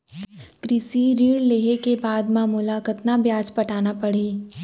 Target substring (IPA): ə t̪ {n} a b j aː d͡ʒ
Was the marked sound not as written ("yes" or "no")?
no